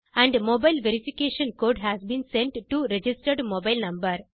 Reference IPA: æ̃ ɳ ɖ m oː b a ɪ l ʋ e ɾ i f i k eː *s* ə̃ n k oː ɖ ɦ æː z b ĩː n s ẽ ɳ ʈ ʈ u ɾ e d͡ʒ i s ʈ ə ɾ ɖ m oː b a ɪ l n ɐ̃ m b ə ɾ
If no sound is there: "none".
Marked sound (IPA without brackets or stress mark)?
ʃ